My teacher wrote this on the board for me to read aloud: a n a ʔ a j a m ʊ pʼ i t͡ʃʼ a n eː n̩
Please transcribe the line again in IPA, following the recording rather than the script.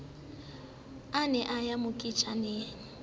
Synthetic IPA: a n ɛ ʔ a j a m ʊ kʼ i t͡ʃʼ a n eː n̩